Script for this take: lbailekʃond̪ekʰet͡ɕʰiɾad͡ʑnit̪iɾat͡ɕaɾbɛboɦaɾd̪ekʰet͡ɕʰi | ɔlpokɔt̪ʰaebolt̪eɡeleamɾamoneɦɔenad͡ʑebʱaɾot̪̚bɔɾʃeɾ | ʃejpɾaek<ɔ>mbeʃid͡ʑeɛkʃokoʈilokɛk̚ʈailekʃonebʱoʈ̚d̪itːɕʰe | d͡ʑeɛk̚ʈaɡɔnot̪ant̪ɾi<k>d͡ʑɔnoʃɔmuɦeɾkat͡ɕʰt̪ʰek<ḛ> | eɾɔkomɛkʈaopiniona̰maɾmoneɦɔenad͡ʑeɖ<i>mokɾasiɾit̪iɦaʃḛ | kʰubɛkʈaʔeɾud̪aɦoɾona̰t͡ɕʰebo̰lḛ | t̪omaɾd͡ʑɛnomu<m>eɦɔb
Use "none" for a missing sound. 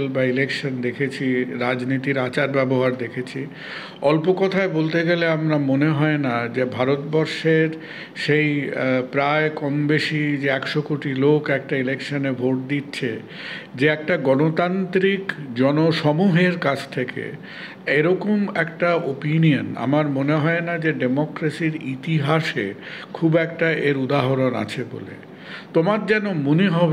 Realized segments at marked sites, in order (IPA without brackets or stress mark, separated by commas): ɔ, k, ḛ, e, n